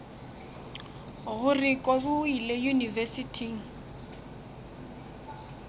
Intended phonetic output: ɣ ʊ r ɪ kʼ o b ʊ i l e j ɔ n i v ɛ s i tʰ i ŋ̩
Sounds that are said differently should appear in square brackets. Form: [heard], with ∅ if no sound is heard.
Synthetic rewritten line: ɣ ʊ r ɪ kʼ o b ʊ i l e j [u] n i v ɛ s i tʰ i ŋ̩